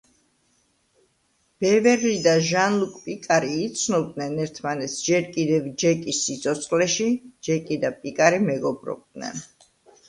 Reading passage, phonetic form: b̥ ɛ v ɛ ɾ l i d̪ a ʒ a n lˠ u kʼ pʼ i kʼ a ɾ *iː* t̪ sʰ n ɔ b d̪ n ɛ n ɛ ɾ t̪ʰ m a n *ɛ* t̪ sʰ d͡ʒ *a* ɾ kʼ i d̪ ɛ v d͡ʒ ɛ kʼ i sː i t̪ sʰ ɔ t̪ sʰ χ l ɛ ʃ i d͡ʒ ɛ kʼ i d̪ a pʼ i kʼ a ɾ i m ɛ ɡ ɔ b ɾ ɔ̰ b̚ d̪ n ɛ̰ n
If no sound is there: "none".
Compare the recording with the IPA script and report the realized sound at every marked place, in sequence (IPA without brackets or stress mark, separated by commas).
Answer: iː, ɛ, ɛ